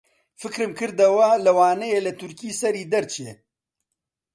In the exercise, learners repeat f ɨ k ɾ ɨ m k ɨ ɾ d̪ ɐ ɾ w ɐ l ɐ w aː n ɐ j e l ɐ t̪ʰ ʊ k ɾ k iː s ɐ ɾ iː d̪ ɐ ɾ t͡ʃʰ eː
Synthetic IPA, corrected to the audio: f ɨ k ɾ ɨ m k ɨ ɾ d̪ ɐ w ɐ l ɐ w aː n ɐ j e l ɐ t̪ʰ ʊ ɾ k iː s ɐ ɾ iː d̪ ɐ ɾ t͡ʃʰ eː